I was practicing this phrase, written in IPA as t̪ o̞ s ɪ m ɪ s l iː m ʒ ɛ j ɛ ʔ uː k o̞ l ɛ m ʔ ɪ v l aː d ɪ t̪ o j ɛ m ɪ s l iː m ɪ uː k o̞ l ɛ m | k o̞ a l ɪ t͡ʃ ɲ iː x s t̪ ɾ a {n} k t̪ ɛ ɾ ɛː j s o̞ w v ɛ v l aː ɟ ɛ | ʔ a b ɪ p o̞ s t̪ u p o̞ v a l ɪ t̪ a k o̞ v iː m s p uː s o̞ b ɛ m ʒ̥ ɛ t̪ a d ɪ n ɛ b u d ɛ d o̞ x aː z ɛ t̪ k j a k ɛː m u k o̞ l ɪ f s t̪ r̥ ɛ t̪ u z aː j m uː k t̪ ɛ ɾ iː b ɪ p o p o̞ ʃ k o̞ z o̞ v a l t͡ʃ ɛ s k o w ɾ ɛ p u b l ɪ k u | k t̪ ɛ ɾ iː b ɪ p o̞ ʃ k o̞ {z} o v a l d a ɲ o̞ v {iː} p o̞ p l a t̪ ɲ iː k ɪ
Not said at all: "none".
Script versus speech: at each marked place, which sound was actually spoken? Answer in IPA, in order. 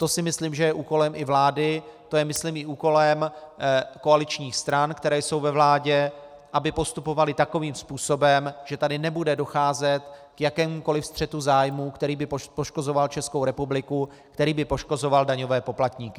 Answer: n, z, ɛː

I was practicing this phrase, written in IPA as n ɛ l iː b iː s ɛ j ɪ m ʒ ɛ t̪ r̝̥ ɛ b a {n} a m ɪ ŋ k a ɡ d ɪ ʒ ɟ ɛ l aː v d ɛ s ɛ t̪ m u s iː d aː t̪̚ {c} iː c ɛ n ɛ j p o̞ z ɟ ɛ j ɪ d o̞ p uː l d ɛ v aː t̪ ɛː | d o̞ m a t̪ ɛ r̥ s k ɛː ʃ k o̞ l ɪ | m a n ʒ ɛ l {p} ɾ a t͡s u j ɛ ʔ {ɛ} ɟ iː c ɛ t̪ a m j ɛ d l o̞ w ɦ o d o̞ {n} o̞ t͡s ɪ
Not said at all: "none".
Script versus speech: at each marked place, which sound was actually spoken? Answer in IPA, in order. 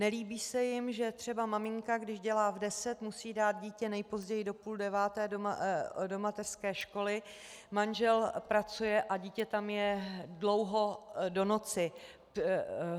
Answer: m, ɟ, p, a, n

